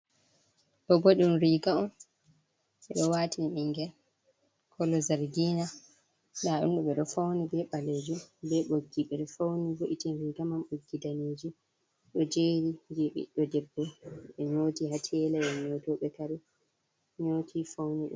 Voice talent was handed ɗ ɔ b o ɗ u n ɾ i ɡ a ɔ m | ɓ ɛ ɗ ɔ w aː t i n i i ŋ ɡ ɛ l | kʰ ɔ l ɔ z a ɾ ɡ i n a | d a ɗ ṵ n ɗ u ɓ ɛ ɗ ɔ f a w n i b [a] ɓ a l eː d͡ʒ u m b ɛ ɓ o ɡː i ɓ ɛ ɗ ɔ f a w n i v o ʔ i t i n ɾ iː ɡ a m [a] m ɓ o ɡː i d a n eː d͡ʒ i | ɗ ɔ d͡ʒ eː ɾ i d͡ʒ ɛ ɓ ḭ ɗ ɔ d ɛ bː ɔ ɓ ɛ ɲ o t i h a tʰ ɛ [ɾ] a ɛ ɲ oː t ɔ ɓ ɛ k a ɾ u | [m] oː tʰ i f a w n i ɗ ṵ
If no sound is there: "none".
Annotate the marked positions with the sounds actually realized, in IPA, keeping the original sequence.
ɛ, a, l, ɲ

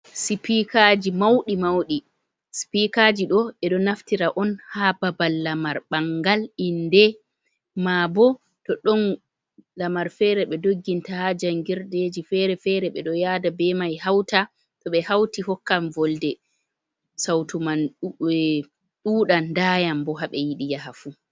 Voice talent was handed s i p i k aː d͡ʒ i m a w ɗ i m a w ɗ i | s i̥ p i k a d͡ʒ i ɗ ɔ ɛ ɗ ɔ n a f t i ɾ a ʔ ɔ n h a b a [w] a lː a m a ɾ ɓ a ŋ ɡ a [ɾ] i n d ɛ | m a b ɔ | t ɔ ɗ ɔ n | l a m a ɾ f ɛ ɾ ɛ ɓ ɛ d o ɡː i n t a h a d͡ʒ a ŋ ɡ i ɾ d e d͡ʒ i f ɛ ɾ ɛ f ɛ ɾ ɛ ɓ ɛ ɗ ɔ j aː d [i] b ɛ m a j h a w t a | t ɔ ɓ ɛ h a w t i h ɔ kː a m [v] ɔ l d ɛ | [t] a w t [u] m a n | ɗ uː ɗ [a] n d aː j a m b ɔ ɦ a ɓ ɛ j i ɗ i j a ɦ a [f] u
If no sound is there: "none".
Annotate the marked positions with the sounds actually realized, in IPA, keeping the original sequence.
b, l, a, v, s, u, a, f

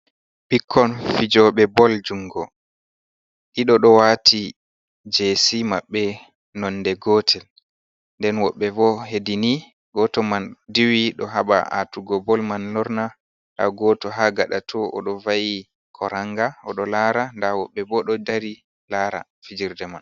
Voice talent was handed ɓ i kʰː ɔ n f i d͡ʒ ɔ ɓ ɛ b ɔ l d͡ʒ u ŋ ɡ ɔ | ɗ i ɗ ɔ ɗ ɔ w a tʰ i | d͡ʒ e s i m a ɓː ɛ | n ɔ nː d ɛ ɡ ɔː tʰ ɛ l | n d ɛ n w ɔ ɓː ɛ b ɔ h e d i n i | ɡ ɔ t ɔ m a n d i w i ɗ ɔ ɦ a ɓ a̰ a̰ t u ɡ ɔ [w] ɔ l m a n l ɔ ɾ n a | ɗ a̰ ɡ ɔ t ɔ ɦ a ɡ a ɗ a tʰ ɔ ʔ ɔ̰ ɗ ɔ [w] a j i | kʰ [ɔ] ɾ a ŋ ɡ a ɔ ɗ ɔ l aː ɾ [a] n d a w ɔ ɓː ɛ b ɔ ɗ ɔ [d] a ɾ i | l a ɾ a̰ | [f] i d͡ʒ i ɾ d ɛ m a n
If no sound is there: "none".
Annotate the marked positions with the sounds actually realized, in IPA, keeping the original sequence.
b, v, ɔ, a, d, f

